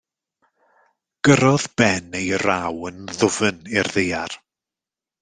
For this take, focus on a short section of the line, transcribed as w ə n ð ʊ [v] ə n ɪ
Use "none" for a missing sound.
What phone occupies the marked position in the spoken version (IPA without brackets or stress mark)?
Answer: v